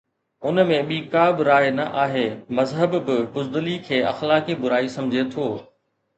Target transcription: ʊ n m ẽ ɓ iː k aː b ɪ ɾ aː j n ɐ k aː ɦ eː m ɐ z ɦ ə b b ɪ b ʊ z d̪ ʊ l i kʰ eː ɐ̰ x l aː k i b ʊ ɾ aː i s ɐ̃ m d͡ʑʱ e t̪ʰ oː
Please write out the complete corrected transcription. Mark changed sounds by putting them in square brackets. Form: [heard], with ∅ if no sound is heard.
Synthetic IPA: ʊ n m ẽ ɓ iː k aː b ɪ ɾ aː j n ɐ [ʔ] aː ɦ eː m ɐ z ɦ ə b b ɪ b ʊ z d̪ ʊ l i kʰ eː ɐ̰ x l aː k i b ʊ ɾ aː i s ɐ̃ m d͡ʑʱ e t̪ʰ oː